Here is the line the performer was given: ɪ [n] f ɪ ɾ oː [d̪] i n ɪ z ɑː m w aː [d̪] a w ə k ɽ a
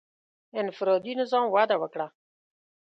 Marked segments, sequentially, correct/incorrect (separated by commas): correct, correct, correct